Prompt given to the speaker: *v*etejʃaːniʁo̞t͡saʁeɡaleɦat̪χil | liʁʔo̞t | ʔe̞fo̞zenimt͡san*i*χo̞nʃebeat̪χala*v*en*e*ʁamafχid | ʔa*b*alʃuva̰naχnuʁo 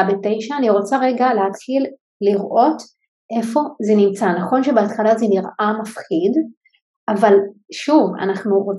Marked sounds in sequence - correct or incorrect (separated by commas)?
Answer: incorrect, incorrect, incorrect, incorrect, incorrect